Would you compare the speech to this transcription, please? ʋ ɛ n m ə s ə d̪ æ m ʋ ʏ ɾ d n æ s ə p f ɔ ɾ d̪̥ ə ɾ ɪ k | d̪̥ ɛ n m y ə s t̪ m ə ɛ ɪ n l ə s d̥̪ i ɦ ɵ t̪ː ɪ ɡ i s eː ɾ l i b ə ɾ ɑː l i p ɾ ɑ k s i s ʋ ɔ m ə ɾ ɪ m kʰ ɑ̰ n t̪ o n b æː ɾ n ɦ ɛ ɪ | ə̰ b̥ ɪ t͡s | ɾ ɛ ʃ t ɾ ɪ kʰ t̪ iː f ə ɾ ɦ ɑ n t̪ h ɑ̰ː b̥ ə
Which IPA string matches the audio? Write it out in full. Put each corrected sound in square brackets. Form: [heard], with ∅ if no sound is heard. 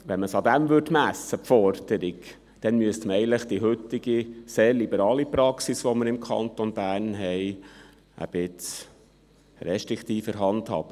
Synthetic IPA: ʋ ɛ n m ə s [ɑ] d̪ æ m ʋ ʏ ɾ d [m] æ s ə p f ɔ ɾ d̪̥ ə ɾ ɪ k | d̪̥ ɛ n m y ə s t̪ m ə ɛ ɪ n l ə [χ] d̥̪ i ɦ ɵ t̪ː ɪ ɡ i s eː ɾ l i b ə ɾ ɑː l i p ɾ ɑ k s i s ʋ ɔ m ə ɾ ɪ m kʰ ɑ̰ n t̪ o n b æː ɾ n ɦ ɛ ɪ | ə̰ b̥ ɪ t͡s | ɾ ɛ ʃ t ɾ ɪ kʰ t̪ iː f ə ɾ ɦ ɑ n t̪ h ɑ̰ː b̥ ə